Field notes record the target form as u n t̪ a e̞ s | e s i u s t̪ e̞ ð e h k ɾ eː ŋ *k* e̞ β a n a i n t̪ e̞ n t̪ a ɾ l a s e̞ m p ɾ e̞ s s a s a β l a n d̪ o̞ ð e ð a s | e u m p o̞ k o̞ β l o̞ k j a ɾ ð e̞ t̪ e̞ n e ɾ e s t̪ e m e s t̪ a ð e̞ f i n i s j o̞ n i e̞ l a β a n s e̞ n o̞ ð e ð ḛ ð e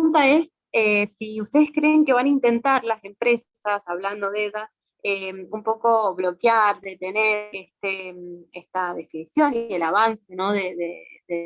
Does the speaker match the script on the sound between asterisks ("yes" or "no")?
yes